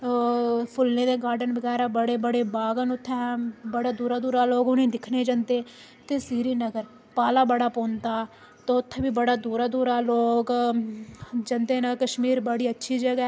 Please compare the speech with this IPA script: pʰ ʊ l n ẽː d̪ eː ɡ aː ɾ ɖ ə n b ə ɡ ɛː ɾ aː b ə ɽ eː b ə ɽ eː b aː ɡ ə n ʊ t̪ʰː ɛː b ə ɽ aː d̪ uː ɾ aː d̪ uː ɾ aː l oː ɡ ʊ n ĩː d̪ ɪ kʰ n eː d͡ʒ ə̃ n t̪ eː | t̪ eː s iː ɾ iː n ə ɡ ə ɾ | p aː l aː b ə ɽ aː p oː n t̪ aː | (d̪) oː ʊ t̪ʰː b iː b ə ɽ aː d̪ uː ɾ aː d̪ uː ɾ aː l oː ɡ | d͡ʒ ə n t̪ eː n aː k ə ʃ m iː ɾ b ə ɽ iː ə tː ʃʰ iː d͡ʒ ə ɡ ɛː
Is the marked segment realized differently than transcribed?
yes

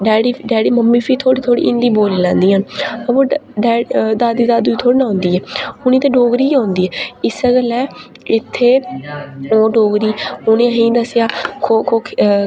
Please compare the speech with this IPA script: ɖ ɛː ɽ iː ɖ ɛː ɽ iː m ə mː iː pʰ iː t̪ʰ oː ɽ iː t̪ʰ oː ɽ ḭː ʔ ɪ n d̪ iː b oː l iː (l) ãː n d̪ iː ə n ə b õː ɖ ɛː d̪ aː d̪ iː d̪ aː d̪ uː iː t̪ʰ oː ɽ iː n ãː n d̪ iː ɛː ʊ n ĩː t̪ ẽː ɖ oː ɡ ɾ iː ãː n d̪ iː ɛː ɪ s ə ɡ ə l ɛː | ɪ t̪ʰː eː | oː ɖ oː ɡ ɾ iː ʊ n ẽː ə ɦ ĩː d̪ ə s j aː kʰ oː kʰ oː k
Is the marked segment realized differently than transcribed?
no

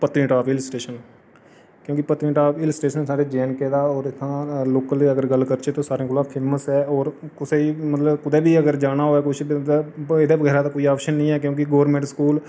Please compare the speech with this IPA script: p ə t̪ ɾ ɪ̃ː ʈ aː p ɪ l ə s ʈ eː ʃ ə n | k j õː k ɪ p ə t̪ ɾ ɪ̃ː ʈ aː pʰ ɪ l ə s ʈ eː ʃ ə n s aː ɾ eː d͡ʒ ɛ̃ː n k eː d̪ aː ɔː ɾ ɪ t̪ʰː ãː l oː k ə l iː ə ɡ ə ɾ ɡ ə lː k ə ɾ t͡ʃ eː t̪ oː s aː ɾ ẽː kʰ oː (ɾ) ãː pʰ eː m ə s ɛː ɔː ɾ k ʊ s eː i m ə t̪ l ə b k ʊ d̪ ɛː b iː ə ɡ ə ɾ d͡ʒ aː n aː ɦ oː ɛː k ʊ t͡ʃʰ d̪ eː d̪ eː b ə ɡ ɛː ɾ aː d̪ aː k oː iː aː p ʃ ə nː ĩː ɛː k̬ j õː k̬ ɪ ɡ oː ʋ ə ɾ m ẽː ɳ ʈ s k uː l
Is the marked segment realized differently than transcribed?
yes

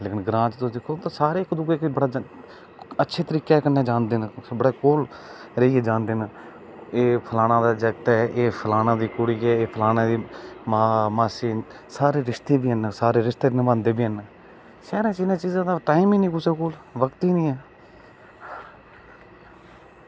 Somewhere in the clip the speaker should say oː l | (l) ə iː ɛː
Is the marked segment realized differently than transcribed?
yes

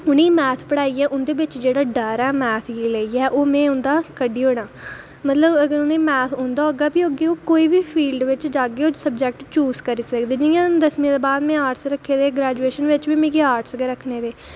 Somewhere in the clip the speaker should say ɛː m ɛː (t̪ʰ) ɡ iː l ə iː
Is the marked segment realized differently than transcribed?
no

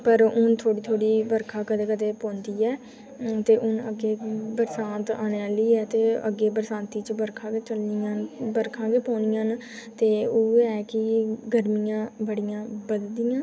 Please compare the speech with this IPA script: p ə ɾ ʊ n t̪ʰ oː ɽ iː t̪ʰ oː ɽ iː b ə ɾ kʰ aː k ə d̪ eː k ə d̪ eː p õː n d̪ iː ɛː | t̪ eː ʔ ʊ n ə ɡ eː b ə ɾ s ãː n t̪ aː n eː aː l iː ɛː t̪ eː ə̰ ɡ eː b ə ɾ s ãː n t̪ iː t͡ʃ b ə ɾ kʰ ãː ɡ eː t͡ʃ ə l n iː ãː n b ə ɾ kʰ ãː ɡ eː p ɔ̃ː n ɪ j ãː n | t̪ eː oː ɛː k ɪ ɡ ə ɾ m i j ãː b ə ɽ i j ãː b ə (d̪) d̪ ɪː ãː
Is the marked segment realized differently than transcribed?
no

